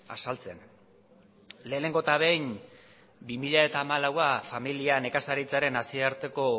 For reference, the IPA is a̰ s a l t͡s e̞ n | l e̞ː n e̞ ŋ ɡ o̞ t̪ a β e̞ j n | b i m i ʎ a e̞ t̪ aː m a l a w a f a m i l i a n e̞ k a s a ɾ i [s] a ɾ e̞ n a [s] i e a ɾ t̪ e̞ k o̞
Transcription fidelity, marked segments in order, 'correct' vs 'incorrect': incorrect, correct

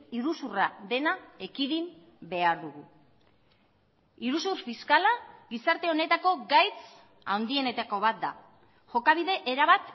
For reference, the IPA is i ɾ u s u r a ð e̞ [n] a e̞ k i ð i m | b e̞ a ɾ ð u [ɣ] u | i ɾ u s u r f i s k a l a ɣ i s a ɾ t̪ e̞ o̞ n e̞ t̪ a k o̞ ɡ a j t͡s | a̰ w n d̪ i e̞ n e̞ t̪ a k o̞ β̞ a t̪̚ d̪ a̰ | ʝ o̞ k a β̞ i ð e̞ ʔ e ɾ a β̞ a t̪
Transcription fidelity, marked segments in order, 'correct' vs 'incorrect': correct, correct

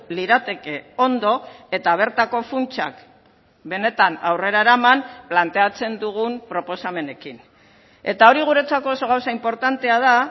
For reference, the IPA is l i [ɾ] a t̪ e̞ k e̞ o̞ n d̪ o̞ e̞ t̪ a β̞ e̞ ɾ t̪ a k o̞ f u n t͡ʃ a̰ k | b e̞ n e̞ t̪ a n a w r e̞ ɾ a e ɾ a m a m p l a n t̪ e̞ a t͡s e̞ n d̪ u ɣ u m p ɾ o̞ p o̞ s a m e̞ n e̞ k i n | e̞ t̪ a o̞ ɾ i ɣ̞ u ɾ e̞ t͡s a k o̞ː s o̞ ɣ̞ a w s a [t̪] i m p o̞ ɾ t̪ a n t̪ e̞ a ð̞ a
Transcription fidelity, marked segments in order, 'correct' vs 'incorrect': correct, incorrect

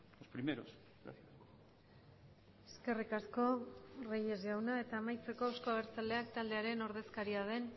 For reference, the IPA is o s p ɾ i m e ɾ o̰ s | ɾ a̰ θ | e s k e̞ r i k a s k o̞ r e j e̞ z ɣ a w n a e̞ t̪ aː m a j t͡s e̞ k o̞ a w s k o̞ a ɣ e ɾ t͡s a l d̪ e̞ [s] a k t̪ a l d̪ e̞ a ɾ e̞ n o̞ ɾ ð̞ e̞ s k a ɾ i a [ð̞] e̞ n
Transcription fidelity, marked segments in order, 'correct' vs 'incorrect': incorrect, correct

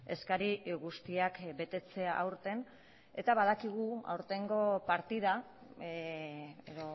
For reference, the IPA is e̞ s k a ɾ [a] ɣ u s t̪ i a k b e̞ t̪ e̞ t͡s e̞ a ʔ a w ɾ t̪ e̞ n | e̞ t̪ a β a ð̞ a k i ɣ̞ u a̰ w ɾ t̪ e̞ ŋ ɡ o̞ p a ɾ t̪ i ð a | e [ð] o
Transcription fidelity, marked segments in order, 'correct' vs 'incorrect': incorrect, correct

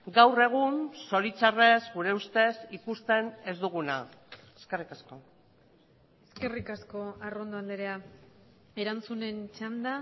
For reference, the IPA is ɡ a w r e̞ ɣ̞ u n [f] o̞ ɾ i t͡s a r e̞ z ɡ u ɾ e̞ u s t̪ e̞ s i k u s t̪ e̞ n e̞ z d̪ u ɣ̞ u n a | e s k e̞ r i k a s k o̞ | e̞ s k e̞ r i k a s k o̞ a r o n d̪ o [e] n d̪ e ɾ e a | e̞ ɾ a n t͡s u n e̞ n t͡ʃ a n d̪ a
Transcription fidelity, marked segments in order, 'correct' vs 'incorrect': incorrect, incorrect

